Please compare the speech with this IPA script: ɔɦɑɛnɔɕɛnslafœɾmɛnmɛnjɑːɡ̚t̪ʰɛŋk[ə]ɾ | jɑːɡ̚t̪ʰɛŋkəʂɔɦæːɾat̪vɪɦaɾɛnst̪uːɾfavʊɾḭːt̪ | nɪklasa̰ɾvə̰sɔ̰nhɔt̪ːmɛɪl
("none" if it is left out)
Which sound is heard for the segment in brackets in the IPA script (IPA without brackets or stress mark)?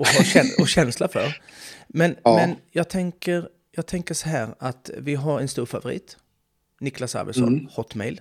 ə